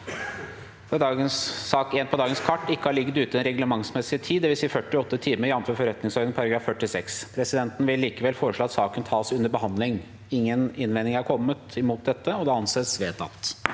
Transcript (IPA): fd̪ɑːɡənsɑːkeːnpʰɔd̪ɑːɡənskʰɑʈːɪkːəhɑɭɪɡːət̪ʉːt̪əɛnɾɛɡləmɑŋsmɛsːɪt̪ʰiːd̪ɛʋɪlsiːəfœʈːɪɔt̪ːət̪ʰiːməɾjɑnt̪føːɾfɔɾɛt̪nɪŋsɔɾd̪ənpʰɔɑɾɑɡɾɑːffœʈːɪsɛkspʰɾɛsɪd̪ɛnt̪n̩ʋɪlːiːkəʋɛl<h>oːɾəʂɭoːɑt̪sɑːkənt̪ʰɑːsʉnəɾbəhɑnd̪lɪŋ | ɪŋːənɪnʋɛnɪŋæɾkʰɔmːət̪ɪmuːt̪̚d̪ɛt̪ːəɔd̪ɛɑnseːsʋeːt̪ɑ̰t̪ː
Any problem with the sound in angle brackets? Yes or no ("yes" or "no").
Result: yes